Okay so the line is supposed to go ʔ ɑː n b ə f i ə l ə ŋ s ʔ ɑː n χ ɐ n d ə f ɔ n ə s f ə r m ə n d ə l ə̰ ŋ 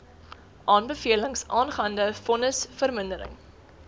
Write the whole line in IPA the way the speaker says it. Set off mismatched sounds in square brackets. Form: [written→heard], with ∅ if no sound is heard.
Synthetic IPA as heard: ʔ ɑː n b ə f i ə l ə ŋ s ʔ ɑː n χ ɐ n d ə f ɔ n ə s f ə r m ə n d ə [l→ɾ] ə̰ ŋ